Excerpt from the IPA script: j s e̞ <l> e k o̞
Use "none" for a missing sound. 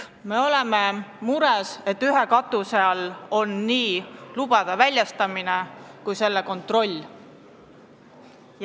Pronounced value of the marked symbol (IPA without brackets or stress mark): lː